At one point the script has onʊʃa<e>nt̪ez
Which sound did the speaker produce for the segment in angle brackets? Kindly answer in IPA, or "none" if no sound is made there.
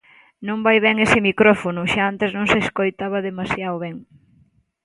a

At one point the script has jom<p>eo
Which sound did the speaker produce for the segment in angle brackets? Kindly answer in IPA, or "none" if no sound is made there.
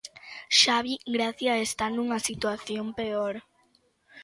p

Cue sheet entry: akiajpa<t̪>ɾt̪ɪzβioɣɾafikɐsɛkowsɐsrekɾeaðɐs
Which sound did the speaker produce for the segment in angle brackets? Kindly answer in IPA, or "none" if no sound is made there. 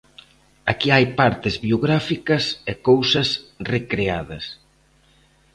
none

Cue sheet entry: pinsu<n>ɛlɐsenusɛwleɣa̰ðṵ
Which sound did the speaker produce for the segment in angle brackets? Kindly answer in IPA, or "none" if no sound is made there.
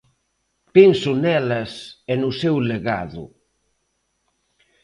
n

